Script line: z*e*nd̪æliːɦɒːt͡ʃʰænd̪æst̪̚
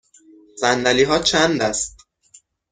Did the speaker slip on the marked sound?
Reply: yes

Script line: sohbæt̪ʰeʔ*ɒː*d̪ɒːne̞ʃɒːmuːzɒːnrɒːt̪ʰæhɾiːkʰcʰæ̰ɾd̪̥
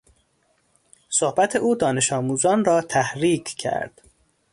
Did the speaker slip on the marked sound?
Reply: yes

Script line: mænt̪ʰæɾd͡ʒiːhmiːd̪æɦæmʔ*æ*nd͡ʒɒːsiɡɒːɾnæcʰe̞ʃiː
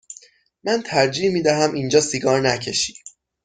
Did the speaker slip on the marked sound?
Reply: yes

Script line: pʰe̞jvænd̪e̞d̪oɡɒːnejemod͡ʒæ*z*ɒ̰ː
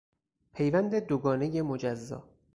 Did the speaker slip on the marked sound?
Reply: yes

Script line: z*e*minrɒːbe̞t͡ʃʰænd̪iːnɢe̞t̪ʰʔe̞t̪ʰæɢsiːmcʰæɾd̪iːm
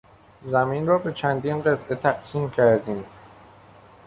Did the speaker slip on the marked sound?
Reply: yes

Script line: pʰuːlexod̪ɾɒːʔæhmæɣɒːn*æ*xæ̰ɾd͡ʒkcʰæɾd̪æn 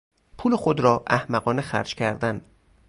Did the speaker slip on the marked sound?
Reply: yes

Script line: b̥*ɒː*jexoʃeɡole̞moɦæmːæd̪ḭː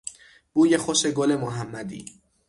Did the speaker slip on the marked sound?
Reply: yes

